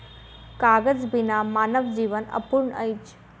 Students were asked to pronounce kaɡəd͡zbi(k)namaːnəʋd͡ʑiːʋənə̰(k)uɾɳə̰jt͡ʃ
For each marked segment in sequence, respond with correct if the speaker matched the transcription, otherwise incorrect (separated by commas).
incorrect, incorrect